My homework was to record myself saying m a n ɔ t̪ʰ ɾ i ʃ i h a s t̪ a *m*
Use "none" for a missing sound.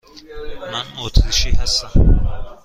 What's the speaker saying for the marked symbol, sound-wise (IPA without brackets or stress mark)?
m